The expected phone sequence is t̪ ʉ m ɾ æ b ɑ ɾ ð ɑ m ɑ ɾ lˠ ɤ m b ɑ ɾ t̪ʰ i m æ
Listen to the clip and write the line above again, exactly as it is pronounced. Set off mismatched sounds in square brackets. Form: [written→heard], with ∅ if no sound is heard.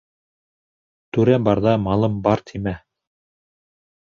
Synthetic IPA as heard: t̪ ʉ [m→∅] ɾ æ b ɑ ɾ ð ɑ m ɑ [ɾ→∅] lˠ ɤ m b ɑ ɾ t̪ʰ i m æ